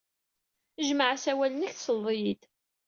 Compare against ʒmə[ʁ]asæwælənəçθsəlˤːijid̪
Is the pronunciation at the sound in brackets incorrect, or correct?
incorrect